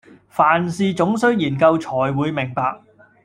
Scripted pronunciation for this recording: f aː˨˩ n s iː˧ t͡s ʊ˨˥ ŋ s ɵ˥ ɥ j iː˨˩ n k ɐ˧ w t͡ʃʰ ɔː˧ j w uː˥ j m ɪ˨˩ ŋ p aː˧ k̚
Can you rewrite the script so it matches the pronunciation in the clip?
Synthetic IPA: f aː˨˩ n s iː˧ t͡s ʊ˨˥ ŋ s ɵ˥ ɥ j iː˨˩ n k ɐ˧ w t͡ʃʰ ɔː˨˩ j w uː˨˧ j m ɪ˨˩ ŋ p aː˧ k̚